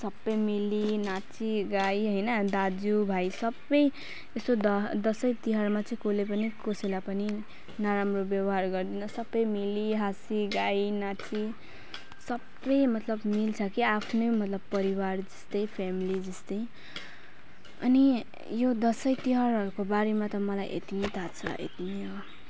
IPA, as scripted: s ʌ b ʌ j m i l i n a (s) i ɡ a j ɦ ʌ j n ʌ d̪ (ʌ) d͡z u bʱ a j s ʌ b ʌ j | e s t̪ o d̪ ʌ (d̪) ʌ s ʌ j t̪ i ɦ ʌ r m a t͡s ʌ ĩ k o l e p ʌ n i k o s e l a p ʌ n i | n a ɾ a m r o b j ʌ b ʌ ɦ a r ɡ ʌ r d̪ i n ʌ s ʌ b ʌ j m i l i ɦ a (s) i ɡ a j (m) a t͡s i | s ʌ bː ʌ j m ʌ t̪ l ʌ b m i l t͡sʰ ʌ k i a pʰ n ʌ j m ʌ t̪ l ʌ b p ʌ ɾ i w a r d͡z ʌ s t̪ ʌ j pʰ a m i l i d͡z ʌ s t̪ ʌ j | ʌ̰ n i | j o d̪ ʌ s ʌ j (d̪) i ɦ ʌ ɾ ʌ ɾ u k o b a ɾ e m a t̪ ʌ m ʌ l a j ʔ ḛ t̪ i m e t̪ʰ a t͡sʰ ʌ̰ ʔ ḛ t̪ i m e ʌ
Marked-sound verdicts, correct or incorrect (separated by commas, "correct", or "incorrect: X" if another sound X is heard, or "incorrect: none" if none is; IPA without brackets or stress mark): incorrect: t͡s, incorrect: a, correct, correct, incorrect: n, incorrect: t̪